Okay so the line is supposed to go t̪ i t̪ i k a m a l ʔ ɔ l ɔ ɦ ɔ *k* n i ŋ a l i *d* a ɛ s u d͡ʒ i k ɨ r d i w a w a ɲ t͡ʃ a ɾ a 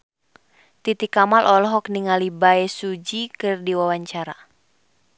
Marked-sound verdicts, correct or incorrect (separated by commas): correct, incorrect